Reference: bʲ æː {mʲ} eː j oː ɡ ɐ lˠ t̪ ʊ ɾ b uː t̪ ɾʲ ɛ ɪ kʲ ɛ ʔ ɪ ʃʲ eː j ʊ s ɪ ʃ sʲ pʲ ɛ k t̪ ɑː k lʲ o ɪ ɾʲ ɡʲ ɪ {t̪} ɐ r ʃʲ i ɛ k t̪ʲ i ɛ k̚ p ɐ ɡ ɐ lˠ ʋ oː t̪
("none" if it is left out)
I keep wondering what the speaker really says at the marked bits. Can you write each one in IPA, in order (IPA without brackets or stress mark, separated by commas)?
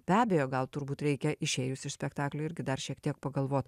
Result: bʲ, d̪